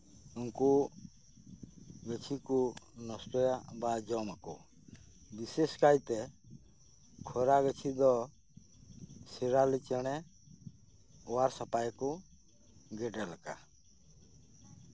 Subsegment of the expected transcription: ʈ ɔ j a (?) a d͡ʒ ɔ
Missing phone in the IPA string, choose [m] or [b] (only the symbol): b